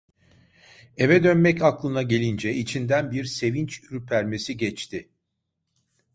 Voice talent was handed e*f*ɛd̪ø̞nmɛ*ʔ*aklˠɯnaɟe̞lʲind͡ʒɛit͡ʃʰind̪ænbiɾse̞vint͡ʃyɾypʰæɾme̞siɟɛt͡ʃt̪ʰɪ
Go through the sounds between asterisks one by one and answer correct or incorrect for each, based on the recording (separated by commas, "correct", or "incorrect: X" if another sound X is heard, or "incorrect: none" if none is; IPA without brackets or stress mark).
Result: incorrect: v, incorrect: c